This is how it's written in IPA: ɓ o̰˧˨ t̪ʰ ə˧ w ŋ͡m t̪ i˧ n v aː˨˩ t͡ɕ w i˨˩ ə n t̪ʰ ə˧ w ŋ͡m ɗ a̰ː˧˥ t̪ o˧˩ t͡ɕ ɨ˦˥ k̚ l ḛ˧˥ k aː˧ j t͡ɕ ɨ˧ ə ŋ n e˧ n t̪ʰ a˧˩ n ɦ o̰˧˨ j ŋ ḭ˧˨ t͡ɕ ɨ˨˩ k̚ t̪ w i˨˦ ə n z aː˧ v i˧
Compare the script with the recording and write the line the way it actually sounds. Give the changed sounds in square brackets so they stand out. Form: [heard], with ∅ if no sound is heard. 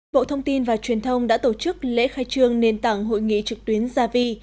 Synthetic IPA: ɓ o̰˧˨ t̪ʰ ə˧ w ŋ͡m t̪ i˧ n v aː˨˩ t͡ɕ w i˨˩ ə n t̪ʰ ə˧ w ŋ͡m ɗ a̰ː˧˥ t̪ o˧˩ t͡ɕ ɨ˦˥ k̚ l ḛ˧˥ [x] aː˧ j t͡ɕ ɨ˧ ə ŋ n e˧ n [t̪] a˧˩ [ŋ] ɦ o̰˧˨ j ŋ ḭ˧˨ t͡ɕ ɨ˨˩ k̚ t̪ w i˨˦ ə n z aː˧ v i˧